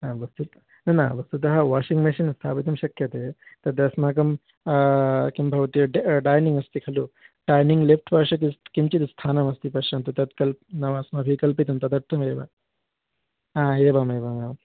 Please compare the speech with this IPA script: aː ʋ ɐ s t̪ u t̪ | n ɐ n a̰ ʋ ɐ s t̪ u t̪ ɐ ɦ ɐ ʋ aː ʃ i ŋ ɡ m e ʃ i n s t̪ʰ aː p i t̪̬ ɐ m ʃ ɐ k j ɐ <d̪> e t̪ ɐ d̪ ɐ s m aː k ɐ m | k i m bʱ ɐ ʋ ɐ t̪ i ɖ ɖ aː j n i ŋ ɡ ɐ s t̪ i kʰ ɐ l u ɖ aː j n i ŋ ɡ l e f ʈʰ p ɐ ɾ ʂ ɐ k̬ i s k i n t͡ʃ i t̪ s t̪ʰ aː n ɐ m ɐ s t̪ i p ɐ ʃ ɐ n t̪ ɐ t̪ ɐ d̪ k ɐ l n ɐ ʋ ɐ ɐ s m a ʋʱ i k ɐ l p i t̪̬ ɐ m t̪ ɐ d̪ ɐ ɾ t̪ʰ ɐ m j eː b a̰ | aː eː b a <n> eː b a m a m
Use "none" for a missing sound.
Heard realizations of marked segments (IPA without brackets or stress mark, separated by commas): t̪, m